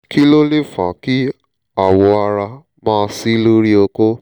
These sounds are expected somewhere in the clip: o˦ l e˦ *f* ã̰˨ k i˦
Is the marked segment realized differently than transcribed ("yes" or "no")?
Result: no